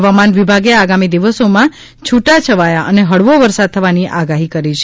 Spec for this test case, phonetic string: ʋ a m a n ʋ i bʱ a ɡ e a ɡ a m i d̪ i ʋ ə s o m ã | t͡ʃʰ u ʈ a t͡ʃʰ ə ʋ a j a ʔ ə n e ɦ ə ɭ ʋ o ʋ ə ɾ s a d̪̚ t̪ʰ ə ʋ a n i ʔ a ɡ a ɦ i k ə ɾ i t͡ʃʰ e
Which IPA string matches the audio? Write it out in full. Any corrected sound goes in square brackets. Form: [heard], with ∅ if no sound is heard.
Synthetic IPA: ʋ a m a n ʋ i bʱ a ɡ e a ɡ a m i d̪ i ʋ ə s o m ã | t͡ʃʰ u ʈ a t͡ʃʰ ə ʋ a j a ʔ ə n e ɦ ə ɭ ʋ o ʋ ə ɾ s a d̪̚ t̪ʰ ə ʋ a n i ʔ a ɡ a ɦ i k ə ɾ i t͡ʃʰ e